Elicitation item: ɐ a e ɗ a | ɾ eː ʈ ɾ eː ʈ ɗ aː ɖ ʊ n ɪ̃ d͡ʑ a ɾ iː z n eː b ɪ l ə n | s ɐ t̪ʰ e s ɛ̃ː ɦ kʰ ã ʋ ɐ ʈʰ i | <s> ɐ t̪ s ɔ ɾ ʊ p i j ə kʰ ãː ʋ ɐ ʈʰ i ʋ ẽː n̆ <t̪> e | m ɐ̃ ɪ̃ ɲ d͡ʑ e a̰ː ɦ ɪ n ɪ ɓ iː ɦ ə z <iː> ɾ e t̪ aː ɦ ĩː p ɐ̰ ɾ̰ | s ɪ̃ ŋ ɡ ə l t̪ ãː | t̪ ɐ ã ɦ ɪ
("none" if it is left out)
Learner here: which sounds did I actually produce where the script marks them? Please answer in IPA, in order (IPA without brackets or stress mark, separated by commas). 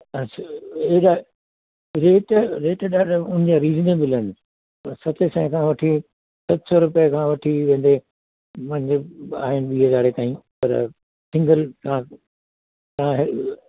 s, d̪, aː